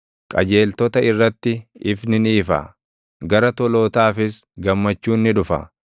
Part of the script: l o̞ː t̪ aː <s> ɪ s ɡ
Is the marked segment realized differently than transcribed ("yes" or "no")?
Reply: yes